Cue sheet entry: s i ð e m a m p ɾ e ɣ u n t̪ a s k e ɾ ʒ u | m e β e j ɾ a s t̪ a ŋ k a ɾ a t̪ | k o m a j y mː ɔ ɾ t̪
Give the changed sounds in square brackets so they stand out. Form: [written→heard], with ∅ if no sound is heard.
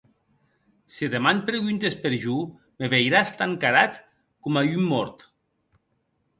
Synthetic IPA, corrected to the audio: s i ð e m a [m→n] p ɾ e ɣ u n t̪ [a→e] s [k→p] e ɾ ʒ u | m e β e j ɾ a s t̪ a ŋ k a ɾ a t̪ | k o m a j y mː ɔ ɾ t̪